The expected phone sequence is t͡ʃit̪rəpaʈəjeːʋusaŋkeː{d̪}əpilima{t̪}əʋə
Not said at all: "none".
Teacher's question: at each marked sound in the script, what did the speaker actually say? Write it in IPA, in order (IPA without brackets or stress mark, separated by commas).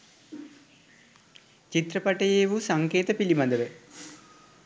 t̪, d̪